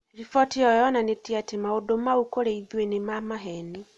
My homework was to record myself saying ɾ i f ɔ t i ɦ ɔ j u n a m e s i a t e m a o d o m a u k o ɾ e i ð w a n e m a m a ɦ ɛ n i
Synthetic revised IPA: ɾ i f ɔ t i ɔ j ɔ n a n e t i a t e m a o d o m a u k o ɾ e i ð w e n e m a m a ɦ ɛ n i